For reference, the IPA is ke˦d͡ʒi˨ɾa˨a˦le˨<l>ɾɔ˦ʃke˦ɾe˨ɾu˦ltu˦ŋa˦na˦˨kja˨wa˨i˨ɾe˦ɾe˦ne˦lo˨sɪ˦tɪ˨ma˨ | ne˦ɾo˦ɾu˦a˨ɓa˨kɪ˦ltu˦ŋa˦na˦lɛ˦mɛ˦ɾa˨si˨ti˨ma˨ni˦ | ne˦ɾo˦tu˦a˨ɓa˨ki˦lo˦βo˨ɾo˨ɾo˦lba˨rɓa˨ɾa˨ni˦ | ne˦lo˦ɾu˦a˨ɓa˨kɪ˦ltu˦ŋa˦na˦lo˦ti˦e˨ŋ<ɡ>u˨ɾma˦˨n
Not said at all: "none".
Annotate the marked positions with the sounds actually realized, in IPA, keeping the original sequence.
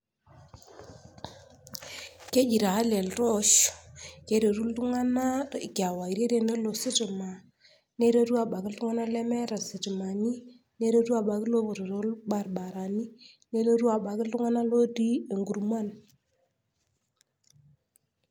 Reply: l, ɡ

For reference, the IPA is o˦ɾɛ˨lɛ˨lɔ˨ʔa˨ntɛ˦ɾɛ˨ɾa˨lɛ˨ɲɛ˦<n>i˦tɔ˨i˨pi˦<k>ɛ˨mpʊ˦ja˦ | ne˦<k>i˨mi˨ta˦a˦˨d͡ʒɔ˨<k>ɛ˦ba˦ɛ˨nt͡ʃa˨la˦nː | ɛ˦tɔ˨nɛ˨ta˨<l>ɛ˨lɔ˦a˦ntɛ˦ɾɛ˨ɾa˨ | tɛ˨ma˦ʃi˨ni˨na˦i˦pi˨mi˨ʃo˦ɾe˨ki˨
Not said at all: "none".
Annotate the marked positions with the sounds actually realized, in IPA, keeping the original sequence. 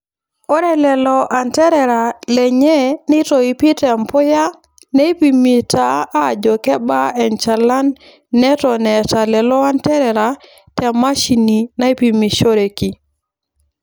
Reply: n, t, p, k, l

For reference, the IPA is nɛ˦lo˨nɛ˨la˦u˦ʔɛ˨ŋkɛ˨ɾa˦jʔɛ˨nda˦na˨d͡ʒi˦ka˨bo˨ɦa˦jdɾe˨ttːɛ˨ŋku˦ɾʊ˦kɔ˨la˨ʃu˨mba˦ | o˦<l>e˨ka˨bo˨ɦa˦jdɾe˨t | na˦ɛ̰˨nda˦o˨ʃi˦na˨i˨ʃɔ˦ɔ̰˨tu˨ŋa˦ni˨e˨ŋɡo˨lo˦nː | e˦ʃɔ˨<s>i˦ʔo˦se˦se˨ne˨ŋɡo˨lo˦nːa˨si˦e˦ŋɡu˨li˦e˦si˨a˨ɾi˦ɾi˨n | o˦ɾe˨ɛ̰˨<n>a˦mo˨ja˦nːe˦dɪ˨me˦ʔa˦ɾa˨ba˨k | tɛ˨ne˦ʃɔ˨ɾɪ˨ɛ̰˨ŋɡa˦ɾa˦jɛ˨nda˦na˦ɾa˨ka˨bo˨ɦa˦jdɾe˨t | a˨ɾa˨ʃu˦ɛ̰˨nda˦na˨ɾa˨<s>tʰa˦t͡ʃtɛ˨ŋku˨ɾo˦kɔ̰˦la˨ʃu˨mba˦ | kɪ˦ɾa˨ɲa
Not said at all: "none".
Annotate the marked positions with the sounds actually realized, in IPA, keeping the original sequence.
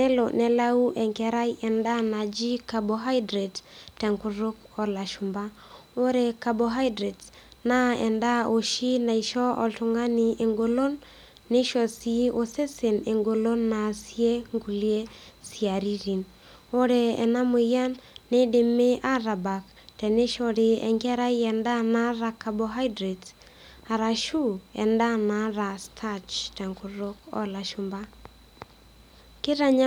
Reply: ɾ, s, n, s

